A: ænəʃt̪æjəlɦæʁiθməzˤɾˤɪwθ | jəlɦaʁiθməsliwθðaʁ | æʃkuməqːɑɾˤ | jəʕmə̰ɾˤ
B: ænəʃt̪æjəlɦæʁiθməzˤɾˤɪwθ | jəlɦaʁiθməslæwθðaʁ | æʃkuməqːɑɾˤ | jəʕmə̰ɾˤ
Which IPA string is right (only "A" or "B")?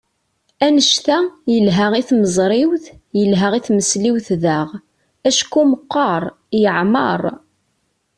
A